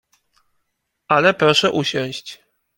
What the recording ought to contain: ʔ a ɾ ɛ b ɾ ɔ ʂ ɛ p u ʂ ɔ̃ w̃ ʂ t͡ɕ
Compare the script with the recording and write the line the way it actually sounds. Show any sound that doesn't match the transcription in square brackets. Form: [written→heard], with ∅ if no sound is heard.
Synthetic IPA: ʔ a [ɾ→l] ɛ [b→p] ɾ ɔ ʂ ɛ [p→ʔ] u [ʂ→ɕ] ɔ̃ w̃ [ʂ→ɕ] t͡ɕ